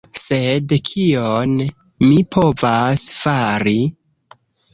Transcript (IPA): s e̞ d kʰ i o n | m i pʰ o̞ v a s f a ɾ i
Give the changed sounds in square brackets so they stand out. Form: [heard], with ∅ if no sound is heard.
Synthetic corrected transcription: s e̞ d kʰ i o n | m i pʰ o̞ v a s f a ɾ i